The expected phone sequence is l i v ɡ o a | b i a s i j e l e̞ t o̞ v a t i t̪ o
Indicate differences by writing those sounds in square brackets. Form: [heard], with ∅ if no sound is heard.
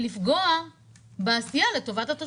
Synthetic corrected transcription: l i [f] ɡ o a | b [e] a s i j [a] l e̞ t o̞ v a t [a] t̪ o